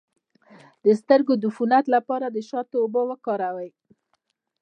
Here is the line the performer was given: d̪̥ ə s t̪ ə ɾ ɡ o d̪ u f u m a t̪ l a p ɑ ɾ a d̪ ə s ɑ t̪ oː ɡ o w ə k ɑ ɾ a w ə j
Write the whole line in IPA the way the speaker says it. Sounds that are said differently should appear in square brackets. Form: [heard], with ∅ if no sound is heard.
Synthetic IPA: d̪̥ ə s t̪ ə ɾ ɡ o d̪ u f u [n] a t̪ l a p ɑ ɾ a d̪ ə [ʃ] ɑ t̪ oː [b] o w ə k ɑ ɾ a w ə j